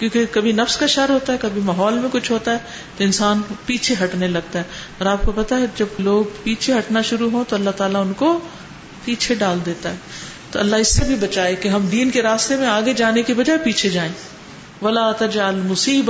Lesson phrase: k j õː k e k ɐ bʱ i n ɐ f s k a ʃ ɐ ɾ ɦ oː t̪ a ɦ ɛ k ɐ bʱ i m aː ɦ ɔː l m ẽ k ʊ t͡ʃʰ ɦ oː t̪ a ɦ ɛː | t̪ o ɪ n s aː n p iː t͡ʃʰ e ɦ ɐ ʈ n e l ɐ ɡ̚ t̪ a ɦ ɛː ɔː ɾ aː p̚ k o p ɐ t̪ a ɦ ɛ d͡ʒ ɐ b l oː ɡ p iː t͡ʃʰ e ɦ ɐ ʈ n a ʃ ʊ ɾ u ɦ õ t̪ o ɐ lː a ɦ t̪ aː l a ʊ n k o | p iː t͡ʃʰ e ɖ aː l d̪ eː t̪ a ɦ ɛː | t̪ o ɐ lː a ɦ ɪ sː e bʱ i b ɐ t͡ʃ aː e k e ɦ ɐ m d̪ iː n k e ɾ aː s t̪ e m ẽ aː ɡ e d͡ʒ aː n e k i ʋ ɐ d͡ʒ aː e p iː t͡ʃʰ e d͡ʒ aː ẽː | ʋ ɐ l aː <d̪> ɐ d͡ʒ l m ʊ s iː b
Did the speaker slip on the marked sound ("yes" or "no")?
yes